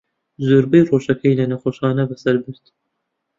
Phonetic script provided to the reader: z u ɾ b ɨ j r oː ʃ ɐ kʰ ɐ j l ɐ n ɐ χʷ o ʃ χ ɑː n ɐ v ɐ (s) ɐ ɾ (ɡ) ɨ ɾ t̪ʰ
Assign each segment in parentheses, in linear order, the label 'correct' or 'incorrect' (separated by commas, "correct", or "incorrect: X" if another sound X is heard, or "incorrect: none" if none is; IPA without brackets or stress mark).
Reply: correct, incorrect: b